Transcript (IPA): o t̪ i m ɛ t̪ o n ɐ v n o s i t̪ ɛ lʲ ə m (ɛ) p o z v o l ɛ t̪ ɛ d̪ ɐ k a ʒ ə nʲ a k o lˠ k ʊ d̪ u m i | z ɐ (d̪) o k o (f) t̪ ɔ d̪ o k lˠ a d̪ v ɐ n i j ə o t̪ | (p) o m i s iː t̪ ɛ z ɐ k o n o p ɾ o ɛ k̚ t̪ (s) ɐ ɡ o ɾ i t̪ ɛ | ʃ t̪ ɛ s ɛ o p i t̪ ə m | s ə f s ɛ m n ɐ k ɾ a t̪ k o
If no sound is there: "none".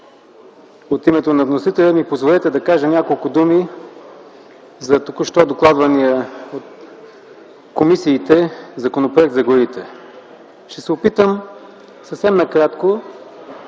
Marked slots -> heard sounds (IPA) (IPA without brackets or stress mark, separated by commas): i, t̪, ʃ, k, z